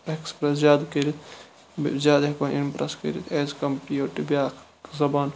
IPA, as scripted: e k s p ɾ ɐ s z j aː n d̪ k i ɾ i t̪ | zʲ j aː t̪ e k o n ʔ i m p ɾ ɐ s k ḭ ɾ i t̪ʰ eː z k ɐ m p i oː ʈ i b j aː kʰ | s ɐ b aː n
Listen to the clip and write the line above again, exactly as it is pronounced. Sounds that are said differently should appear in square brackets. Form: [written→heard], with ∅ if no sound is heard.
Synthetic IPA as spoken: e k s p ɾ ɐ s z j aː [n→∅] d̪ k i ɾ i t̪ | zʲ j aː [t̪→d̪] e k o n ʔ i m p ɾ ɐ s k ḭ ɾ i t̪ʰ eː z k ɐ m p i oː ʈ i b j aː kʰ | [s→z] ɐ b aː n